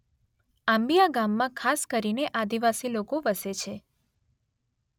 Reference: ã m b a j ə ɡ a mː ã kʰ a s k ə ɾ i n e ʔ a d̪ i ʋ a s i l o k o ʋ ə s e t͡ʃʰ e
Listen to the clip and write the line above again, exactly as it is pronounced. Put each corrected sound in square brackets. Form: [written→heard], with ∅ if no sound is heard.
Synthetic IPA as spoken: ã m b [a→i] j [ə→a] ɡ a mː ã kʰ a s k ə ɾ i n e ʔ a d̪ i ʋ a s i l o k o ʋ ə s e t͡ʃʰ e

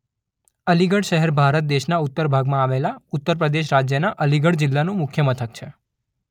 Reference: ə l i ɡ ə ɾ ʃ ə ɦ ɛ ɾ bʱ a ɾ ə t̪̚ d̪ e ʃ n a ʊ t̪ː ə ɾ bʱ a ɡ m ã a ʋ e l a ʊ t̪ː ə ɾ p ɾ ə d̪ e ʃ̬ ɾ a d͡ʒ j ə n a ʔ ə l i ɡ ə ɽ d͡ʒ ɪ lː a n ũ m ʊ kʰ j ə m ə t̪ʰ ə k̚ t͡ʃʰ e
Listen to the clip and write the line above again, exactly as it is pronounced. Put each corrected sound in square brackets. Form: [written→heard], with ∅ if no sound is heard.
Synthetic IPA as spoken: ə l i ɡ ə [ɾ→ɽ] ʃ ə ɦ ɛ ɾ bʱ a ɾ ə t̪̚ d̪ e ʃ n a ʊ t̪ː ə ɾ bʱ a ɡ m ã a ʋ e l a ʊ t̪ː ə ɾ p ɾ ə d̪ e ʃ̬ ɾ a d͡ʒ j ə n a ʔ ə l i ɡ ə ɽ d͡ʒ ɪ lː a n ũ m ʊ kʰ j ə m ə t̪ʰ ə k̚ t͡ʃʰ e

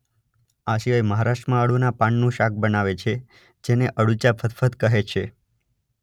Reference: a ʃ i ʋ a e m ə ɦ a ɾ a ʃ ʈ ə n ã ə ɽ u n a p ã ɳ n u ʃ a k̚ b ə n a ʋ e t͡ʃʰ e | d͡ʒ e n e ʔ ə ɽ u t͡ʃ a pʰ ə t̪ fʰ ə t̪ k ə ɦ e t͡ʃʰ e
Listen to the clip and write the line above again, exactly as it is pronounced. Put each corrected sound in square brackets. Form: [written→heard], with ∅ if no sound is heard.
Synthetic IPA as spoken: a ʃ i ʋ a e m ə ɦ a ɾ a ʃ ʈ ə [n→m] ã ə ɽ u n a p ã ɳ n [u→ũ] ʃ a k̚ b ə n a ʋ e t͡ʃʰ e | d͡ʒ e n e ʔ ə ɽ u t͡ʃ a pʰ ə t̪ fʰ ə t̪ k ə ɦ e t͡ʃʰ e

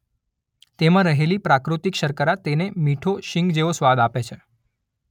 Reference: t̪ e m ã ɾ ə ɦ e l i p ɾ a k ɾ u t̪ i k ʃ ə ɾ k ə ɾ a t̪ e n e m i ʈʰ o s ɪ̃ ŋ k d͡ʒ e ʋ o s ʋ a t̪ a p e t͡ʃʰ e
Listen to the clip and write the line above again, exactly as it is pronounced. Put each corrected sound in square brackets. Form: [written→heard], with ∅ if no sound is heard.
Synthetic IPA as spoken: t̪ e m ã ɾ ə ɦ e l i p ɾ a k ɾ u t̪ i k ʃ ə ɾ k ə ɾ a t̪ e n e m i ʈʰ o [s→ʃ] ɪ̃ ŋ [k→ɡ] d͡ʒ e ʋ o s ʋ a [t̪→d̪] a p e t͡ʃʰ e

